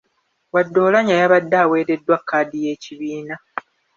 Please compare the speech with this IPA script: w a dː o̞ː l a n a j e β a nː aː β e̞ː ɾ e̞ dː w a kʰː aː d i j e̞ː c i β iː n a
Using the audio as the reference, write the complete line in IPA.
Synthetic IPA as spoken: w a dː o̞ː l a ɲ a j a β a dː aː w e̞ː ɾ e̞ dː w a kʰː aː d i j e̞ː c i β iː n a